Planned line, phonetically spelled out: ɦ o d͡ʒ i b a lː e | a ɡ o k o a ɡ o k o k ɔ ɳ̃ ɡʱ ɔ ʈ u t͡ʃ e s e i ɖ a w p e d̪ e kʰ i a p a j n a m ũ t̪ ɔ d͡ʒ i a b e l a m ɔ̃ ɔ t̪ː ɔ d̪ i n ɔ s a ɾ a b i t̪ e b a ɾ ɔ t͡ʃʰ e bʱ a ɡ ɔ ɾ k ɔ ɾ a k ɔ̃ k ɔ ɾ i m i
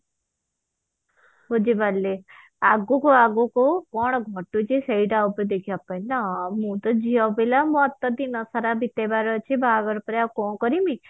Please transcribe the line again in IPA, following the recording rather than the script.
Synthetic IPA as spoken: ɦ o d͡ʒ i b a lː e | a ɡ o k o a ɡ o k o k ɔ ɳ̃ ɡʱ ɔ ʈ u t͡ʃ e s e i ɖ a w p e d̪ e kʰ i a p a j n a m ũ t̪ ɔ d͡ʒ i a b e l a m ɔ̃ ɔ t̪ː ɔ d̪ i n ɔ s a ɾ a b i t̪ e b a ɾ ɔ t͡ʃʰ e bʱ a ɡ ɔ ɾ p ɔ ɾ a k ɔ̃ k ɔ ɾ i m i